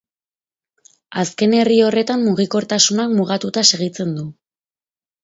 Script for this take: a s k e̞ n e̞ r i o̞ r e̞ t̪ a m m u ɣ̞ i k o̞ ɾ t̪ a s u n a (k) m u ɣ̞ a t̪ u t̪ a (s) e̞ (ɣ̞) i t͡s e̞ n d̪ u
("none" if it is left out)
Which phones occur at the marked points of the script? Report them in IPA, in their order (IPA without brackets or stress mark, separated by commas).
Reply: k, s, ɣ̞